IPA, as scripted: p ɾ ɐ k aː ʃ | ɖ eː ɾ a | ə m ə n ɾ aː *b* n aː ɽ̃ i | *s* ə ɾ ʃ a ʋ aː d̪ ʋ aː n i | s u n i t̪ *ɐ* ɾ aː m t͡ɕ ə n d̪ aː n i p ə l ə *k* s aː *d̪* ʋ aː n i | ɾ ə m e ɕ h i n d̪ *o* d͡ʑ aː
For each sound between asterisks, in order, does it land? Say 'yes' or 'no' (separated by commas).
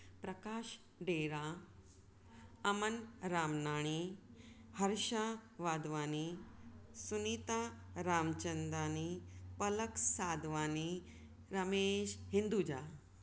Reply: no, no, no, yes, yes, no